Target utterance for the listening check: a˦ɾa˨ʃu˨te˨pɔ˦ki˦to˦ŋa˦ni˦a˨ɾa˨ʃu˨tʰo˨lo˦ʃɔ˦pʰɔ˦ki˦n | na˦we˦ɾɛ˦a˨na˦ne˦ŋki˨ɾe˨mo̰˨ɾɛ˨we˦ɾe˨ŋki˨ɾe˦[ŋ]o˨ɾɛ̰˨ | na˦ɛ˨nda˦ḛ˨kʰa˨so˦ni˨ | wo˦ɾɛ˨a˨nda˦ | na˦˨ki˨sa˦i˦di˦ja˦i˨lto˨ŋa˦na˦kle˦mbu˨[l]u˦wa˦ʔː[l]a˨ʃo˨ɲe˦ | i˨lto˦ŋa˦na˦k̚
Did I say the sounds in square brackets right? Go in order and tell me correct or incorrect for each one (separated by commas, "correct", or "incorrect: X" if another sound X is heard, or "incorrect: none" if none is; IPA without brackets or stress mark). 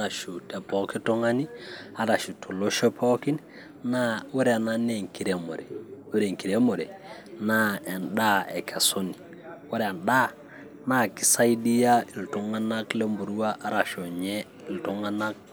incorrect: m, incorrect: ɾ, incorrect: ɾ